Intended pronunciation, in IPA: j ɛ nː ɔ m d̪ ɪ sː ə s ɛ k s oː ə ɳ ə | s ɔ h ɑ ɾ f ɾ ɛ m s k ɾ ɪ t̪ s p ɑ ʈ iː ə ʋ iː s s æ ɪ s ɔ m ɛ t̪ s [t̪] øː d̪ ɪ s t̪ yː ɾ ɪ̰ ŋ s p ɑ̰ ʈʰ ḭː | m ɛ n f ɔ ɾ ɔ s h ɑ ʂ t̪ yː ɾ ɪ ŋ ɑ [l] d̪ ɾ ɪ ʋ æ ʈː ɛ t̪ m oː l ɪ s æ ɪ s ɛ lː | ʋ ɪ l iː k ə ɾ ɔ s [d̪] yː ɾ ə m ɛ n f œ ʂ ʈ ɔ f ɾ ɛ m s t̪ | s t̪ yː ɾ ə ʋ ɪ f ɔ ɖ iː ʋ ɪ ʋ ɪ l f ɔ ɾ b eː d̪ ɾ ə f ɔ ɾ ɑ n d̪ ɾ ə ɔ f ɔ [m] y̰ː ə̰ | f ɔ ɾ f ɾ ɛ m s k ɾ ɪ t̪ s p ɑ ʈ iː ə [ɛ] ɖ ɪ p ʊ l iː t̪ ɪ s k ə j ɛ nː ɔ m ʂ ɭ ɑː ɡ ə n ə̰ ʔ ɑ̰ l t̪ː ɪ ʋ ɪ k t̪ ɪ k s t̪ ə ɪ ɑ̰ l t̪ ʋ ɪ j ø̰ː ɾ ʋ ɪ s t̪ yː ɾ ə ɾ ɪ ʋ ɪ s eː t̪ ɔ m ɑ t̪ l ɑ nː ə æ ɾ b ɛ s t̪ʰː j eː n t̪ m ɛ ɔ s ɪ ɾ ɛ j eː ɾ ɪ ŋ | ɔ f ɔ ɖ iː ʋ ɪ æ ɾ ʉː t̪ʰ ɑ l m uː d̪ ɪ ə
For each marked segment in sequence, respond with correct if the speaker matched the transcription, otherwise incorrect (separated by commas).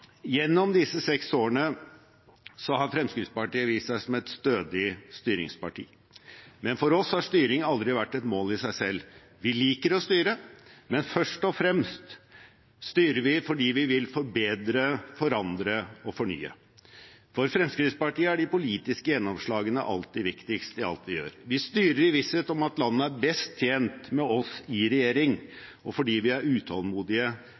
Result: correct, correct, incorrect, incorrect, incorrect